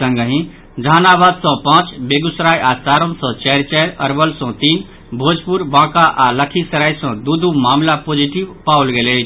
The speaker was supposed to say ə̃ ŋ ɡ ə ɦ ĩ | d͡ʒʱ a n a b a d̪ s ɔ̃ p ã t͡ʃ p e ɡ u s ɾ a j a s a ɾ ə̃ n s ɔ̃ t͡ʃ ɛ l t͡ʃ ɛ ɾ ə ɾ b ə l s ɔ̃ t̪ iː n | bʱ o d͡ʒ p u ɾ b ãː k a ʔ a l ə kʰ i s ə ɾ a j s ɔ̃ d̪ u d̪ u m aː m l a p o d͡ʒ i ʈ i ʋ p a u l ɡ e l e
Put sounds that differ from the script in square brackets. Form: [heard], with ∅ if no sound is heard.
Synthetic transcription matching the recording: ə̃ ŋ ɡ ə ɦ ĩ | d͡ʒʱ a n a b a d̪ s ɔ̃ p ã t͡ʃ [b] e ɡ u s ɾ a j a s a ɾ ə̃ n s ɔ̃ t͡ʃ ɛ [ɾ] t͡ʃ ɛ ɾ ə ɾ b ə l s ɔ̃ t̪ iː n | bʱ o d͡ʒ p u ɾ b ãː k a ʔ a l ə kʰ i s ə ɾ a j s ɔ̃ d̪ u d̪ u m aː m l a p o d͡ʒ i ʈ i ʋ p a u l ɡ e l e